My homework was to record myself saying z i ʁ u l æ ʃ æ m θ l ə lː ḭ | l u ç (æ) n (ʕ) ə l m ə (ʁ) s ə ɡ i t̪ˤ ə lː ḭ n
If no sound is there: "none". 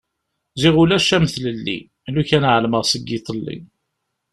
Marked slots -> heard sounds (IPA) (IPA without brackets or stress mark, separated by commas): æ, ʕ, ʁ